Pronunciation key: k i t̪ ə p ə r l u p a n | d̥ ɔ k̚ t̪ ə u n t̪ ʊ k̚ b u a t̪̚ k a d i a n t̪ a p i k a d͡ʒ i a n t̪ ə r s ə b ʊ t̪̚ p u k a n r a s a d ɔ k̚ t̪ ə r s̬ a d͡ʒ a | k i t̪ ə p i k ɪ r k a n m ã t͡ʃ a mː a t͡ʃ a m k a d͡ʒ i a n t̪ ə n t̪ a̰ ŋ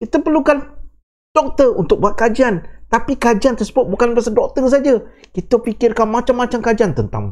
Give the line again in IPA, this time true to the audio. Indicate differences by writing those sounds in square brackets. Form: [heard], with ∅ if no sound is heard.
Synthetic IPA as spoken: k i t̪ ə p ə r l u [k] a n | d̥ ɔ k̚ t̪ ə u n t̪ ʊ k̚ b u a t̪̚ k a [d͡ʒ] i a n t̪ a p i k a d͡ʒ i a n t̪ ə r s ə b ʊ t̪̚ [b] u k a n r a s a d ɔ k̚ t̪ ə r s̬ a d͡ʒ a | k i t̪ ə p i k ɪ r k a n m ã t͡ʃ a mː a t͡ʃ a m k a d͡ʒ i a n t̪ ə n t̪ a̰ ŋ